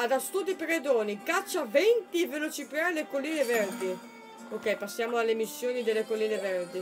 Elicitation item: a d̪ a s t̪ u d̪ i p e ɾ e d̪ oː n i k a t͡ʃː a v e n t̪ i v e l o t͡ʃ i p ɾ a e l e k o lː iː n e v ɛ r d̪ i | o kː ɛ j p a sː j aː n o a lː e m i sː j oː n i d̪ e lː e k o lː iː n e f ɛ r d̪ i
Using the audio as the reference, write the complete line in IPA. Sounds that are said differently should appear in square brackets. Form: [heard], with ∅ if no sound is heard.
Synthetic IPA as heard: a d̪ a s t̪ u d̪ i p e ɾ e d̪ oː n i k a t͡ʃː a v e n t̪ i v e l o t͡ʃ i p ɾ a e l e k o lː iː n e v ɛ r d̪ i | o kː ɛ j p a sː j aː [m] o a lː e m i sː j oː n i d̪ e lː e k o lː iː n e [v] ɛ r d̪ i